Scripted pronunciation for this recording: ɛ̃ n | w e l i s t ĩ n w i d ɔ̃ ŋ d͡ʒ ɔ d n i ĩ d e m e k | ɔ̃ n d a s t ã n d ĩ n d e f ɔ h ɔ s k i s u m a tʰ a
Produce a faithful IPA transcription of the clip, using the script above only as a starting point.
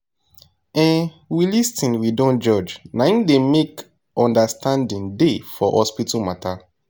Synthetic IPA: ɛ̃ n | w i l i s t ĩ n w i d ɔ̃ n d͡ʒ ɔ d͡ʒ n a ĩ d e m e k | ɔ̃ n d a s t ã n d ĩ n d e f ɔ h ɔ s p i t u m a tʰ a